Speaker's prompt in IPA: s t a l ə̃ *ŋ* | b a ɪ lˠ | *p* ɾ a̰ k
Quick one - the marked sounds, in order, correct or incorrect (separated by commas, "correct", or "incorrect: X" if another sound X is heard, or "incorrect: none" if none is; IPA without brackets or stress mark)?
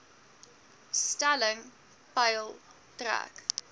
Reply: correct, incorrect: t